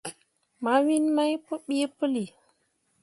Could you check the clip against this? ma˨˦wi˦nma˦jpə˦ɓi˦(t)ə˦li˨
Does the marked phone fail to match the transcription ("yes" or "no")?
yes